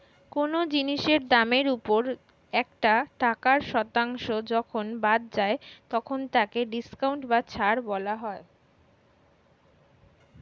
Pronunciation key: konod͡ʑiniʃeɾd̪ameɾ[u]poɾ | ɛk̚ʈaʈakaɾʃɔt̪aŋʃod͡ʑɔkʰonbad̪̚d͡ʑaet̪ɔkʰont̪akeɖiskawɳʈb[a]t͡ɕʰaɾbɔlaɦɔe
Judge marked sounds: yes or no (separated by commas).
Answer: yes, yes